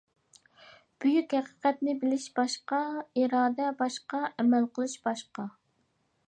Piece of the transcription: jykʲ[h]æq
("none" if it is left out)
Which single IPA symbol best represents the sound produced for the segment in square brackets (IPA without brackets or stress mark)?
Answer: h